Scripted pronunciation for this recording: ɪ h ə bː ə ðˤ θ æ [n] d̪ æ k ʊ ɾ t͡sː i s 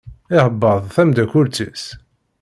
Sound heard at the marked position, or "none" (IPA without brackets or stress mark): m